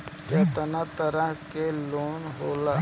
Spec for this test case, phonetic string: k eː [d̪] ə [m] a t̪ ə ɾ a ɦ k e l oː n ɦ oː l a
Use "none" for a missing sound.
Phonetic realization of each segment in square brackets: t̪, n

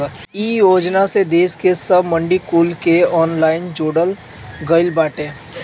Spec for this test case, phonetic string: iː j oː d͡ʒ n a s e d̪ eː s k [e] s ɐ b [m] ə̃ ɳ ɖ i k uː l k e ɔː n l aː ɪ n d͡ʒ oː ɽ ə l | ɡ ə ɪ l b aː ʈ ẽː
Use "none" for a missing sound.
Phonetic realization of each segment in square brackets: e, m

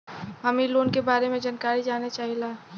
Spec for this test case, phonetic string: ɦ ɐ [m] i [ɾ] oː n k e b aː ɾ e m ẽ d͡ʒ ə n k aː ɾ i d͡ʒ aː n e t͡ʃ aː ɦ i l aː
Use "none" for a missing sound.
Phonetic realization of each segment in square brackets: m, l

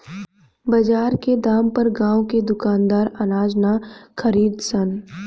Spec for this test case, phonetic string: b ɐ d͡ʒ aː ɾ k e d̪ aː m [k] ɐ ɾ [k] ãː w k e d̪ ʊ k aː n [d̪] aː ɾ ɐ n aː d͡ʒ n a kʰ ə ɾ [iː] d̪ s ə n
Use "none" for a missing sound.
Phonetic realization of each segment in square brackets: p, ɡ, d̪, iː

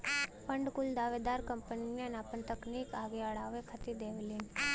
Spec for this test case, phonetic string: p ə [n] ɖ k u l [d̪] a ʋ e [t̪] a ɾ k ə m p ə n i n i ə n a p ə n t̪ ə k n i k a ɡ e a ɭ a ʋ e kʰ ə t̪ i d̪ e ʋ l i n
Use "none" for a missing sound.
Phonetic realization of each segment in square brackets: ɳ, d̪, d̪

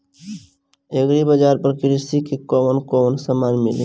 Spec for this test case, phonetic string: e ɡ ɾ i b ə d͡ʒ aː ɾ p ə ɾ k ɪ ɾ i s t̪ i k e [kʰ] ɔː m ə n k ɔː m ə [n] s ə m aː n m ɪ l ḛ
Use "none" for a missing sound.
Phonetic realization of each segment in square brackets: k, n

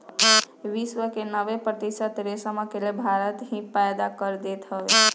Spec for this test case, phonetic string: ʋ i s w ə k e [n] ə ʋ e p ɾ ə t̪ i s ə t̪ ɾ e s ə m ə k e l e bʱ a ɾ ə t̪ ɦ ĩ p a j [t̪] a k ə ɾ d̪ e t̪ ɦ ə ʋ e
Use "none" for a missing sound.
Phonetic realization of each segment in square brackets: n, d̪

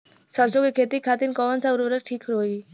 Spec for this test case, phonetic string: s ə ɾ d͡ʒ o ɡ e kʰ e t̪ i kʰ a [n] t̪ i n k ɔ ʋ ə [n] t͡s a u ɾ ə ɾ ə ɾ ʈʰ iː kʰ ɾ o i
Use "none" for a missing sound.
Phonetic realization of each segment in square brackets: none, n

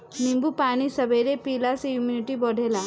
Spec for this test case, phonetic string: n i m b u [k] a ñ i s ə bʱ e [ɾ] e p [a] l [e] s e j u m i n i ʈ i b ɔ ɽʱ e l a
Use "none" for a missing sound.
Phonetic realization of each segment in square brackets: p, ɾ, i, a

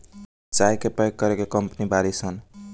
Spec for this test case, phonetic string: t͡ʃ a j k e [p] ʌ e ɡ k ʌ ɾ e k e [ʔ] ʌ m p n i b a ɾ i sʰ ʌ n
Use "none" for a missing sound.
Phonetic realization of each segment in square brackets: p, k

